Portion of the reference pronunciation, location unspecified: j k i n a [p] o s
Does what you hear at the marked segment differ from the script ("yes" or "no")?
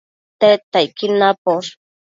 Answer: no